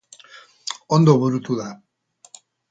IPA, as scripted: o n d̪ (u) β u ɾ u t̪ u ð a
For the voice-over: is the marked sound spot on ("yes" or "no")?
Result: no